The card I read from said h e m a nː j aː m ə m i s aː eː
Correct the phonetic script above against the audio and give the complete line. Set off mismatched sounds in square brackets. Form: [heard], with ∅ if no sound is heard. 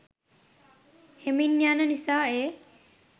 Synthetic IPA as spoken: h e m [i] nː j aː [n] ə [n] i s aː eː